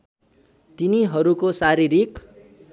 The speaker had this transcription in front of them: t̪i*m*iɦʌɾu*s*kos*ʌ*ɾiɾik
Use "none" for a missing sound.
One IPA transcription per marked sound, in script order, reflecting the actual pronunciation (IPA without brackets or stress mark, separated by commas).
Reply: n, none, a